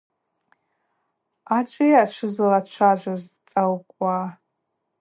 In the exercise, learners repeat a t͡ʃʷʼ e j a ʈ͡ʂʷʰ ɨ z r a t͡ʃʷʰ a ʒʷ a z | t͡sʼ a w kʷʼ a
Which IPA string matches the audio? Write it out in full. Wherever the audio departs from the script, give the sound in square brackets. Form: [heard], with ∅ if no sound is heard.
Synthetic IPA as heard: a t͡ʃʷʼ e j a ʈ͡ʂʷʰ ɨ z [l] a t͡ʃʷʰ a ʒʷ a z | t͡sʼ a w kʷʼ a